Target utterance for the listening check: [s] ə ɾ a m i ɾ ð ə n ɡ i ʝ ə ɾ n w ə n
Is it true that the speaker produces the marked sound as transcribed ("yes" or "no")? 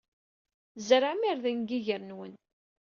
no